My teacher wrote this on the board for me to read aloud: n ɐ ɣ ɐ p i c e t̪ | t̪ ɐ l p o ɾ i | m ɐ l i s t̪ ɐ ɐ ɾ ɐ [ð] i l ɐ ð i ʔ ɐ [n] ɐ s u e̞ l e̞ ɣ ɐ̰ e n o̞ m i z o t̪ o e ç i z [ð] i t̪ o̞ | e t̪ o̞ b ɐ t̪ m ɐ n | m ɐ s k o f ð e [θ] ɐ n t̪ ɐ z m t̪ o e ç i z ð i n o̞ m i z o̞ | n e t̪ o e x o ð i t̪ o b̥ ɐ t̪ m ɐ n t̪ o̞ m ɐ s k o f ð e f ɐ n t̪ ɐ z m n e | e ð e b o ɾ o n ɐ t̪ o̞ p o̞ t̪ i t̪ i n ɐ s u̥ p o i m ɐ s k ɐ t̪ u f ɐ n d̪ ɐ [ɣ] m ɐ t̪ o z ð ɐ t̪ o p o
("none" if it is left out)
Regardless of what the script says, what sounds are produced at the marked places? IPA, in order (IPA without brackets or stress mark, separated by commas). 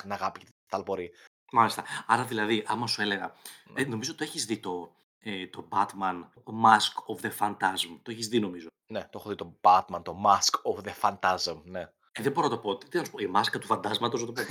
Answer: ð, m, ð, f, z